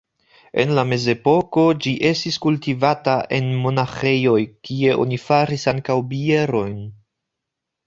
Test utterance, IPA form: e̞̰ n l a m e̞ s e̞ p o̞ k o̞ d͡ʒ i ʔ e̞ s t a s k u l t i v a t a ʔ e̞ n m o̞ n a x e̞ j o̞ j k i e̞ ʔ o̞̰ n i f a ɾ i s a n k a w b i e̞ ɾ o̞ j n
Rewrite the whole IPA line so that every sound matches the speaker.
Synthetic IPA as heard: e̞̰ n l a m e̞ z e̞ p o̞ k o̞ d͡ʒ i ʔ e̞ s t i s k u l t i v a t a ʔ e̞ n m o̞ n a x e̞ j o̞ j k i e̞ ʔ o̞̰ n i f a ɾ i s a ŋ k a w b i e̞ ɾ o̞ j n